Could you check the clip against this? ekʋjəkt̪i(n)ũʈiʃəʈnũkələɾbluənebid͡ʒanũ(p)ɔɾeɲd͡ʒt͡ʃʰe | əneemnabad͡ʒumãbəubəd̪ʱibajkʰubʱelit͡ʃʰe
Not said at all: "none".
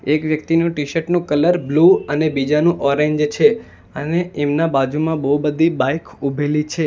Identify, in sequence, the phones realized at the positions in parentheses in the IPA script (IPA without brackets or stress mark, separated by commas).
n, ʔ